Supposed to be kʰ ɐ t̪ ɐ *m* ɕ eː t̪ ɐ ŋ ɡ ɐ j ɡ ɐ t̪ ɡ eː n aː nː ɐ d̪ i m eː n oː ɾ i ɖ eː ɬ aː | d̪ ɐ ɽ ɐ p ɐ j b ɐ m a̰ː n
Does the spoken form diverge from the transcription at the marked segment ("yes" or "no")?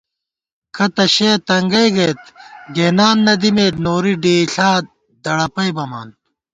yes